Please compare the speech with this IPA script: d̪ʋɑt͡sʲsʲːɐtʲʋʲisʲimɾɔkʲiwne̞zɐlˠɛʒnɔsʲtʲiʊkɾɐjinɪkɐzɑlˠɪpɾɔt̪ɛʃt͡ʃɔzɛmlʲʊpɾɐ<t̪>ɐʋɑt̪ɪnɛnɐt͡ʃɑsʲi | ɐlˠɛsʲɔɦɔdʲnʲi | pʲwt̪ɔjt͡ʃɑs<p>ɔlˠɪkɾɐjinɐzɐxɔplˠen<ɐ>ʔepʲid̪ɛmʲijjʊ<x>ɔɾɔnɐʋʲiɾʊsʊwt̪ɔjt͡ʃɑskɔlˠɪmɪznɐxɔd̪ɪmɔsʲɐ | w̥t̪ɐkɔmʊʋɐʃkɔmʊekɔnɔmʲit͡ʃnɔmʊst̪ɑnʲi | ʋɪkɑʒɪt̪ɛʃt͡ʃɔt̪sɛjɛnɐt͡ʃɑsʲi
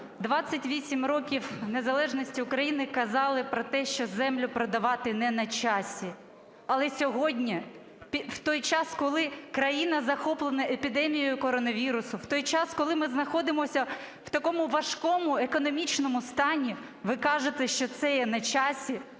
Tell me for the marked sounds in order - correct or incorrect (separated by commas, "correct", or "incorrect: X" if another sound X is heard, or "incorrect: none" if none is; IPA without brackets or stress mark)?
incorrect: d̪, incorrect: k, correct, incorrect: k